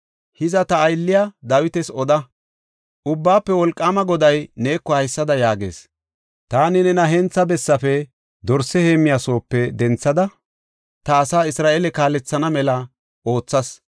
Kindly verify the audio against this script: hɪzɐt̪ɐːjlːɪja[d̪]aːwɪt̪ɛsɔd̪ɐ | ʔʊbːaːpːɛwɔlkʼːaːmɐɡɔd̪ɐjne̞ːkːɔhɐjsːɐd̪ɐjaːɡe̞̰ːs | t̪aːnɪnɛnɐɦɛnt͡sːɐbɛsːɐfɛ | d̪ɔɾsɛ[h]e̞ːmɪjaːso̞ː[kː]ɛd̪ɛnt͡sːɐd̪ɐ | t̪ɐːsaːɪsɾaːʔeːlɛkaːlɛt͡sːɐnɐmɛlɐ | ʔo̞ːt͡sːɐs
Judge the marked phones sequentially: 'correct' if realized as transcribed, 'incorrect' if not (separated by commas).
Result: correct, correct, incorrect